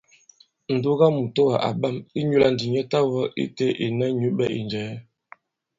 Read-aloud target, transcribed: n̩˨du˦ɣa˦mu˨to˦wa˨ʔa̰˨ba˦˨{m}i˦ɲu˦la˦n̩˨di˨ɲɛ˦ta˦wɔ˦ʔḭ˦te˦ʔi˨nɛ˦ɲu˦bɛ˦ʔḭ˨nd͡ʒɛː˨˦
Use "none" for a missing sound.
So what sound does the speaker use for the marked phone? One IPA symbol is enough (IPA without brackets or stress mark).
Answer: m